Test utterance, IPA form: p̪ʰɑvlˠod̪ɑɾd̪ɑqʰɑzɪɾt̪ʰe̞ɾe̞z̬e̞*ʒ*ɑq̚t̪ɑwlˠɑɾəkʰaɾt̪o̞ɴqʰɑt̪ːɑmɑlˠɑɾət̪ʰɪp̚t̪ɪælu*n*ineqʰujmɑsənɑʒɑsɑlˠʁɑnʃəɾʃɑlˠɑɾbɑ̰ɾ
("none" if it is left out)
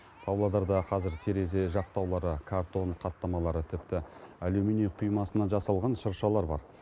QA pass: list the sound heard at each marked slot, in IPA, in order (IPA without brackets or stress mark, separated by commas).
ʒ, m